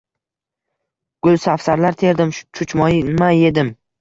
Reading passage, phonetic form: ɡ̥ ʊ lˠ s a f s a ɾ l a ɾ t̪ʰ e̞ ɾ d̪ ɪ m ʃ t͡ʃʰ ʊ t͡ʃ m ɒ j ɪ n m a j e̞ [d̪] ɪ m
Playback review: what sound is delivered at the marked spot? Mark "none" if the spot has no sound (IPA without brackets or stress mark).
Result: d̪